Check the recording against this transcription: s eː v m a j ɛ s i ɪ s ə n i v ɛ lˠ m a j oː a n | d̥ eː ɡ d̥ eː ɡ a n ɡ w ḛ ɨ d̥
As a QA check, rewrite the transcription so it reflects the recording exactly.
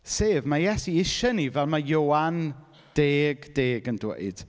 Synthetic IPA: s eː v m a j ɛ s i ɪ ʃ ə n i v ɛ lˠ m a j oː a n | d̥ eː ɡ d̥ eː ɡ ə n d w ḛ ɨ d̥